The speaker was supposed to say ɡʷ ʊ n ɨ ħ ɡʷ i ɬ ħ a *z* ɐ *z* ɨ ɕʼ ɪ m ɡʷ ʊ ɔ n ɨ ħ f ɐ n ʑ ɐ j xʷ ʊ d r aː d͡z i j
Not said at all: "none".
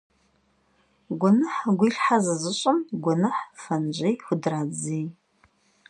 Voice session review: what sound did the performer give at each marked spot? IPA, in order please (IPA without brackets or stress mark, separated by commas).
z, z